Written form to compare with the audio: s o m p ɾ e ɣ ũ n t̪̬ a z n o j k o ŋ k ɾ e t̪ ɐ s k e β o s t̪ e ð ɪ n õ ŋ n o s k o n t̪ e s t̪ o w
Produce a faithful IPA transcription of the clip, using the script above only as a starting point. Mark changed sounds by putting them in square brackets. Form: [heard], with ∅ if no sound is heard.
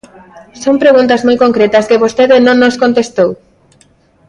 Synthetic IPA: s o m p ɾ e ɣ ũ n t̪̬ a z [m] o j k o ŋ k ɾ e t̪ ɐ s k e β o s t̪ e ð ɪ n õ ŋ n o s k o n t̪ e s t̪ o w